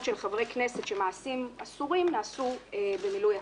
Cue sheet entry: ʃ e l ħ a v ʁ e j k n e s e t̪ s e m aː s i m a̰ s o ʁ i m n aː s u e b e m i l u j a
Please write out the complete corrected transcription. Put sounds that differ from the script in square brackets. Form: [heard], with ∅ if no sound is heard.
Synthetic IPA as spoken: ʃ e l [χ] a v ʁ e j k n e s e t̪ [ʃ] e m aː s i m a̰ s [u] ʁ i m n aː s u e b e m i l u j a